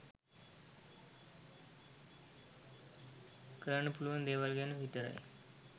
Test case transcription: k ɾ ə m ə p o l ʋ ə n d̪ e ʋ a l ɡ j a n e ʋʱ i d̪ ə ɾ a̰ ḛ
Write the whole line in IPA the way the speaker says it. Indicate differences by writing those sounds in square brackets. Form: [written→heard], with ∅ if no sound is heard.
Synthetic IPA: k ɾ ə [m→ɳ] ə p [o→u] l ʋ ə n d̪ e ʋ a l ɡ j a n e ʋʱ i [d̪→t̪] ə ɾ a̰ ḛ